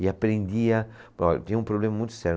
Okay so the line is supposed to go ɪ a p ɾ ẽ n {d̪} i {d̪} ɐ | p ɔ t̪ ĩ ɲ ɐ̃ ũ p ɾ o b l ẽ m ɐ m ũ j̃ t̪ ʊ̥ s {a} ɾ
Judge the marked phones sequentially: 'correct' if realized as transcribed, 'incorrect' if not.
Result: correct, incorrect: none, incorrect: ɛ

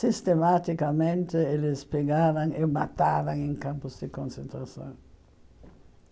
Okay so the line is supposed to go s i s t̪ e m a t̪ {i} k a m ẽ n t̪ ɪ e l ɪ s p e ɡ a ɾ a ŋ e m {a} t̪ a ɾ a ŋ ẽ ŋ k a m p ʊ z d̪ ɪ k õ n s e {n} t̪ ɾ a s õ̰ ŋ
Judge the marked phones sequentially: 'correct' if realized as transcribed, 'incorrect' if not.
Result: correct, correct, correct

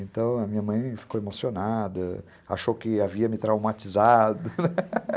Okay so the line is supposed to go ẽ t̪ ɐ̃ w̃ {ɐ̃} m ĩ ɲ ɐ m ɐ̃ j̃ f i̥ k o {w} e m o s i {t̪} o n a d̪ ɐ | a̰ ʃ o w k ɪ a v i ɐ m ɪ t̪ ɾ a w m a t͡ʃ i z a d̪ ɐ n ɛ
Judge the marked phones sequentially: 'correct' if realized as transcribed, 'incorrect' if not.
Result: incorrect: ɐ, correct, incorrect: none

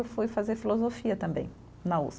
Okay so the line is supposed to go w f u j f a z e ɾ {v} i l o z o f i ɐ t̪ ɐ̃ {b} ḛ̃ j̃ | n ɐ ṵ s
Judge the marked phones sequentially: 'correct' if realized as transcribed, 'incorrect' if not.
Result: incorrect: f, correct

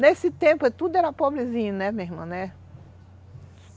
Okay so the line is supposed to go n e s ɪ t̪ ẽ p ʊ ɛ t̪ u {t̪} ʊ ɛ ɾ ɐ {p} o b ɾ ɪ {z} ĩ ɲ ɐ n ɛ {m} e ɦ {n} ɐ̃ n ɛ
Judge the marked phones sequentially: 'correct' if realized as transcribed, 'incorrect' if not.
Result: incorrect: d̪, correct, correct, correct, incorrect: m

